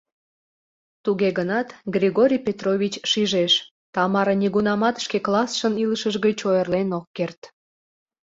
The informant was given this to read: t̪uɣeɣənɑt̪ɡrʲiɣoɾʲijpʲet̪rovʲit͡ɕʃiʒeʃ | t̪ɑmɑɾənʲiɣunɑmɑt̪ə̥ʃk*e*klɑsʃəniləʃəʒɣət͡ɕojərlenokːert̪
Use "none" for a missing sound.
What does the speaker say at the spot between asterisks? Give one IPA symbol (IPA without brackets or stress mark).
e